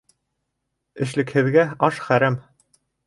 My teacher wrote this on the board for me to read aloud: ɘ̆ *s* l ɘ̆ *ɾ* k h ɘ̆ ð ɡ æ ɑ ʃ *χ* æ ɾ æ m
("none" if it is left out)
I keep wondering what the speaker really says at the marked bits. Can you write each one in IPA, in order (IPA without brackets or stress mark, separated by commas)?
ʃ, none, χ